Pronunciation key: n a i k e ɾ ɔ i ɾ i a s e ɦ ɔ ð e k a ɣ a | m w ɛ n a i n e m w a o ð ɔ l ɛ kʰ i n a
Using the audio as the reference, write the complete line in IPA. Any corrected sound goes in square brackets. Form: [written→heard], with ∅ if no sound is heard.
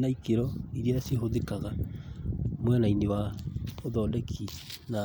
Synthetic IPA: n a i k e ɾ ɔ i ɾ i a s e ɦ [ɔ→o] ð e k a ɣ a | m w ɛ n a i n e [m→∅] w a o ð ɔ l ɛ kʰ i n a